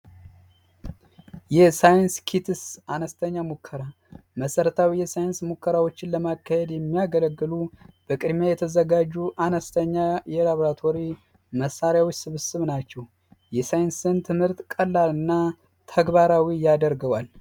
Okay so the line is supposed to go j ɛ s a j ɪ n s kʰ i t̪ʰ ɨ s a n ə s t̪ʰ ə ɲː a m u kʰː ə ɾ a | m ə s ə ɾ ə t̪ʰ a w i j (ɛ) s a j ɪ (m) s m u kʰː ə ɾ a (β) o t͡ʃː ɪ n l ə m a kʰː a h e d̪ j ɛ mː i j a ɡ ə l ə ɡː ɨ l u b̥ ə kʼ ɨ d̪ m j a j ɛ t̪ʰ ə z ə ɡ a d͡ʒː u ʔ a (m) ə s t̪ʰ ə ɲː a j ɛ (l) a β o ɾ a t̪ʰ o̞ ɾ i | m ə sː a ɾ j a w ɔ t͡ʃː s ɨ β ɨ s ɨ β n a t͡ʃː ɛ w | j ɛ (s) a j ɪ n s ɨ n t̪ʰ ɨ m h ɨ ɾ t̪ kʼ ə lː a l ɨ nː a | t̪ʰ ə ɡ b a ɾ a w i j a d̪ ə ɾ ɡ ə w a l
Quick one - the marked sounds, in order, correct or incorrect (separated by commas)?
correct, incorrect, incorrect, incorrect, correct, correct